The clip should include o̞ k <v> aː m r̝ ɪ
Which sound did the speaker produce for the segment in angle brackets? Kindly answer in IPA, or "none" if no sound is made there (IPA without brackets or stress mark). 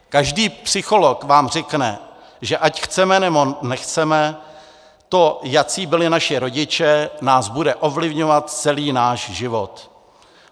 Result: v